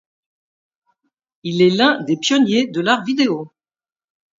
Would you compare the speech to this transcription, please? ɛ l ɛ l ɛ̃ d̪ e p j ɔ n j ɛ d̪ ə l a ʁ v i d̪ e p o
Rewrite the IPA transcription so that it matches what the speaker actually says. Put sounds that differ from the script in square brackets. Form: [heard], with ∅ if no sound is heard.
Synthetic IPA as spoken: [i] l ɛ l ɛ̃ d̪ e p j ɔ n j [e] d̪ ə l a ʁ v i d̪ e [∅] o

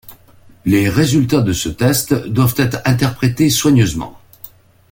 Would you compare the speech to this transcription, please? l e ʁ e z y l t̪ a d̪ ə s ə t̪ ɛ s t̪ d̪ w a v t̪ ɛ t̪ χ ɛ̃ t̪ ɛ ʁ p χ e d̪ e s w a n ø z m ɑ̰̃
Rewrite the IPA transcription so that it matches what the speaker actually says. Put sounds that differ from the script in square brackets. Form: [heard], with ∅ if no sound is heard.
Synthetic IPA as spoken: l e ʁ e z y l t̪ a d̪ ə s ə t̪ ɛ s t̪ d̪ w a v t̪ ɛ t̪ χ ɛ̃ t̪ ɛ ʁ p χ e [t̪] e s w a [ɲ] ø z m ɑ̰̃

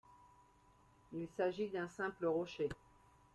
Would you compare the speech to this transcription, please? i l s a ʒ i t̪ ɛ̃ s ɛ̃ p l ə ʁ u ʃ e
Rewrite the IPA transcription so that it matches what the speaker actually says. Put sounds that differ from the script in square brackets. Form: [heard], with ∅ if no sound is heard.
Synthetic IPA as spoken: i l s a ʒ i [d̪] ɛ̃ s ɛ̃ p l ə ʁ [ɔ] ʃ e

